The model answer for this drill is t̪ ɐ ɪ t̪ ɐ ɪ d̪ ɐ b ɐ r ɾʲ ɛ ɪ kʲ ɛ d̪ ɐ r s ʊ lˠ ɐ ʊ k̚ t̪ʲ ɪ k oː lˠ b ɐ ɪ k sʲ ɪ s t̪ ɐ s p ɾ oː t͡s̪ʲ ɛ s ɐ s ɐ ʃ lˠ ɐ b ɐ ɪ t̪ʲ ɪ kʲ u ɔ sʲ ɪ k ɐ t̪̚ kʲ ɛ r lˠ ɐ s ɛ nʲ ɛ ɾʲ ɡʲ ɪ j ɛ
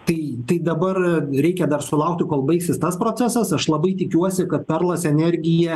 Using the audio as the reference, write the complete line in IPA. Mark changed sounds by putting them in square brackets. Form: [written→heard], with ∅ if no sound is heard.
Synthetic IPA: t̪ ɐ ɪ t̪ ɐ ɪ d̪ ɐ b ɐ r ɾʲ ɛ ɪ kʲ ɛ d̪ ɐ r s ʊ lˠ ɐ ʊ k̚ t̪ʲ ɪ k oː lˠ b ɐ ɪ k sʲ ɪ s t̪ ɐ s p ɾ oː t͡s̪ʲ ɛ s ɐ s ɐ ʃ lˠ ɐ b ɐ ɪ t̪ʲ ɪ kʲ u ɔ sʲ ɪ k ɐ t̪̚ [kʲ→pʲ] ɛ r lˠ ɐ s ɛ nʲ ɛ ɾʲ ɡʲ ɪ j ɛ